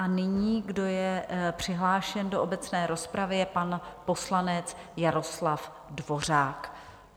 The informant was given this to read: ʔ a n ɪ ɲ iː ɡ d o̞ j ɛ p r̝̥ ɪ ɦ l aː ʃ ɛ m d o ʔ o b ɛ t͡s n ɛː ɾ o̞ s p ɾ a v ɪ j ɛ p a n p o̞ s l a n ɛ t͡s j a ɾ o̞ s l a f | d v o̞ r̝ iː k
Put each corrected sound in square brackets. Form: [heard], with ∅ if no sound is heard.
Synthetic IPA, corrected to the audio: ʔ a n ɪ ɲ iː ɡ d o̞ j ɛ p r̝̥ ɪ ɦ l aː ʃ ɛ [n] d o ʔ o b ɛ t͡s n ɛː ɾ o̞ s p ɾ a v ɪ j ɛ p a n p o̞ s l a n ɛ t͡s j a ɾ o̞ s l a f | d v o̞ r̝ [aː] k